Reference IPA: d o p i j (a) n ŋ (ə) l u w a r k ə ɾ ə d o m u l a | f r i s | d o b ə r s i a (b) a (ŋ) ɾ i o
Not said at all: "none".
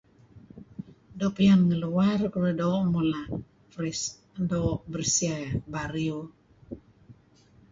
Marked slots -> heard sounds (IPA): a, ə, b, none

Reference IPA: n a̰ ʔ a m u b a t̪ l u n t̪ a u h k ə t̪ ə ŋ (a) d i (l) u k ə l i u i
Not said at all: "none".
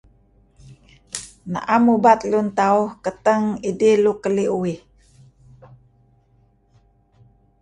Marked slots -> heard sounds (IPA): i, l

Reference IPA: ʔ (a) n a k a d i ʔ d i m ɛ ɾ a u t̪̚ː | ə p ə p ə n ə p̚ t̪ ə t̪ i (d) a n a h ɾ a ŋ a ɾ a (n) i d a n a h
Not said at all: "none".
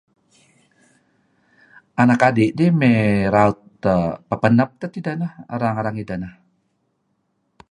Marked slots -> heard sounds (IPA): a, d, ŋ

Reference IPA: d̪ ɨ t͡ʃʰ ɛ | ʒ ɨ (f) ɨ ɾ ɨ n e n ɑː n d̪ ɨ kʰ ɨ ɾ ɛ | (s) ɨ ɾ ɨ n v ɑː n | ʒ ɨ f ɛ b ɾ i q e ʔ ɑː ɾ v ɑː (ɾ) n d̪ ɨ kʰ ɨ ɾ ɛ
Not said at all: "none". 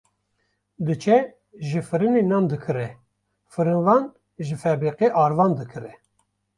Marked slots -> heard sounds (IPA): f, f, none

